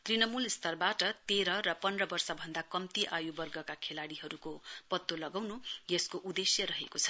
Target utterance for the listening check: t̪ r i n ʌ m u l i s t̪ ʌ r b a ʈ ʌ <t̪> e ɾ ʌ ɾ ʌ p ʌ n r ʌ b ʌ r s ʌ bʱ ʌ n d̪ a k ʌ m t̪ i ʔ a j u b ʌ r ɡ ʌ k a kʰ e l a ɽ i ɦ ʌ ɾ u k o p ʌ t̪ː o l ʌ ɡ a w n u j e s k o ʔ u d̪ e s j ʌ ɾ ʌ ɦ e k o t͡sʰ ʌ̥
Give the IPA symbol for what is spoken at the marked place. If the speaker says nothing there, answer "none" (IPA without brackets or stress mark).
t̪